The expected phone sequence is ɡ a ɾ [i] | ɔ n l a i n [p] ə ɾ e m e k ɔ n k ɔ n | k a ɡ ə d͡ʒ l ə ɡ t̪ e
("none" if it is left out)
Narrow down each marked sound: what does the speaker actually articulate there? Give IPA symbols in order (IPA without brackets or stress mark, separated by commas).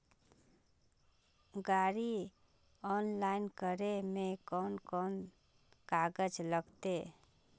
i, k